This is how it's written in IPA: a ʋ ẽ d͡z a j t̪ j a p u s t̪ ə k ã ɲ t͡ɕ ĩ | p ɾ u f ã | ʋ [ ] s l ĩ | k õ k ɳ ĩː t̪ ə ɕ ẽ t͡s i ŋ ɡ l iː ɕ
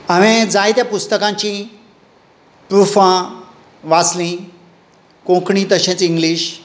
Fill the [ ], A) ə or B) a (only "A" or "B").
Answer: B